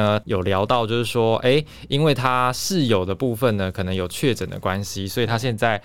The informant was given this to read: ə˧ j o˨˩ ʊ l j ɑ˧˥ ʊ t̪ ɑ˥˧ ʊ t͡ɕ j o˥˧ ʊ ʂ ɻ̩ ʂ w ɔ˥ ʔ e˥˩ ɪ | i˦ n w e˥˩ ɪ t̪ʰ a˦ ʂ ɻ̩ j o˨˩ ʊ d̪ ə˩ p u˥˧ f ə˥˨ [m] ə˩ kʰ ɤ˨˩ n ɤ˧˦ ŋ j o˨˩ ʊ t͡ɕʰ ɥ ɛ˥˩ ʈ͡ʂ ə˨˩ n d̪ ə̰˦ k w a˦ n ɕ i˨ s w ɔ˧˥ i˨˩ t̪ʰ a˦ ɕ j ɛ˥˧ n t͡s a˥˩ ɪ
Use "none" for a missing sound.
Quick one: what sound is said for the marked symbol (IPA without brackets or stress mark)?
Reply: n